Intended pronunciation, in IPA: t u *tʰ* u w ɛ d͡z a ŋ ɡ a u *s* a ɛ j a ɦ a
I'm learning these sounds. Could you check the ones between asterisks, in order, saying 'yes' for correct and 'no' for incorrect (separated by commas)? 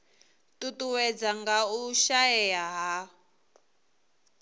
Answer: no, no